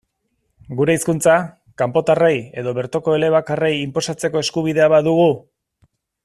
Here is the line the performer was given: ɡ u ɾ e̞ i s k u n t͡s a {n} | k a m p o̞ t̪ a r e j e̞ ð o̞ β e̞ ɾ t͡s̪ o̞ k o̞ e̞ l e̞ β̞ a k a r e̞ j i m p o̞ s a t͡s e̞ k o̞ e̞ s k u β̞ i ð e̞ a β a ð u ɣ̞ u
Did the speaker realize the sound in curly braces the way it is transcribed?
no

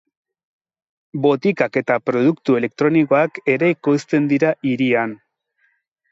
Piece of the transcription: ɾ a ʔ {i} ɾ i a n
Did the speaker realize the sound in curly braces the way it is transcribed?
yes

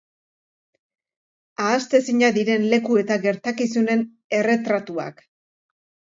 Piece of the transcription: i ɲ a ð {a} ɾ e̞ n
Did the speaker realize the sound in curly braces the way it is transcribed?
no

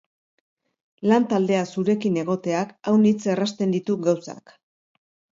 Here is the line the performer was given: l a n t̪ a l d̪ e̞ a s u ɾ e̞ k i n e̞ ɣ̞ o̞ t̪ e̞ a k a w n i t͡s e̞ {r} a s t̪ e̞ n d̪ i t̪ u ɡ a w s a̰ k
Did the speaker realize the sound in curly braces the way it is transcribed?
yes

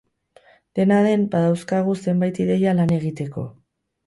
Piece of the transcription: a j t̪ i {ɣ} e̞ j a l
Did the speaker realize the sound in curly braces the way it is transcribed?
no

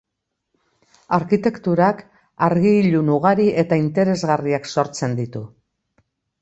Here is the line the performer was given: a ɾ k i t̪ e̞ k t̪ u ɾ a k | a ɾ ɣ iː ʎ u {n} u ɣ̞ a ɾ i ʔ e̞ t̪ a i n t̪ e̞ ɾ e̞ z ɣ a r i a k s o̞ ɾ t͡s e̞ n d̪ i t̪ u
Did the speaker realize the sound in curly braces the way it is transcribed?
yes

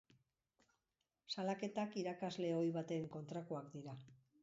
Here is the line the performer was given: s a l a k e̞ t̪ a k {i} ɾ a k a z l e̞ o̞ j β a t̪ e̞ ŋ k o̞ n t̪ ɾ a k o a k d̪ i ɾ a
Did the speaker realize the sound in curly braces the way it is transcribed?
yes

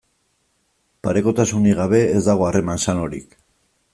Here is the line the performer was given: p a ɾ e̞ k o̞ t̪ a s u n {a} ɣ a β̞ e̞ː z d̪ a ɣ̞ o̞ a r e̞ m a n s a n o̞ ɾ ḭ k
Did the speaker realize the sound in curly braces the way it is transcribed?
no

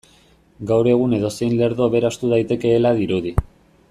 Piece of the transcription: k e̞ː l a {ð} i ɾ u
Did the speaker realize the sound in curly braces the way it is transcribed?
yes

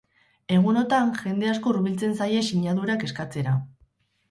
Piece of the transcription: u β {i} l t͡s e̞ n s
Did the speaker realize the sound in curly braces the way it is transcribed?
yes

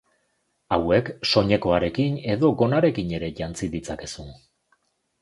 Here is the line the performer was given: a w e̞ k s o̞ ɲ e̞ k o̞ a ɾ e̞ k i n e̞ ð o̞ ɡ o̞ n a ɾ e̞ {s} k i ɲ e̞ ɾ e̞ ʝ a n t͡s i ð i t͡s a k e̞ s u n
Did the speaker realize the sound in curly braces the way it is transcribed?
no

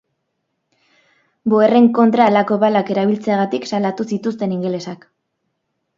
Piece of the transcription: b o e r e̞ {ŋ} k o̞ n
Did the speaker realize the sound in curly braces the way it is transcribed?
yes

